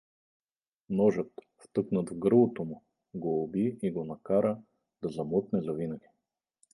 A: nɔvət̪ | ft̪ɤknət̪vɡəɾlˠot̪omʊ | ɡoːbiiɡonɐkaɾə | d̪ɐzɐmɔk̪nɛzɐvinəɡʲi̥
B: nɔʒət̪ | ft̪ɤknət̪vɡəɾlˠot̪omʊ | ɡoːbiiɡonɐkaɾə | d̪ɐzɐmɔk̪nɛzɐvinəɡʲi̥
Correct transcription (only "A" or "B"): B